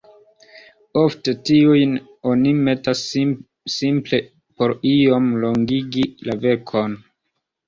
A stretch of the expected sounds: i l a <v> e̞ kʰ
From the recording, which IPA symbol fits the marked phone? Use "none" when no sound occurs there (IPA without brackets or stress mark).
v